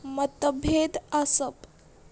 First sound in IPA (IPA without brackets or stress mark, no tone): m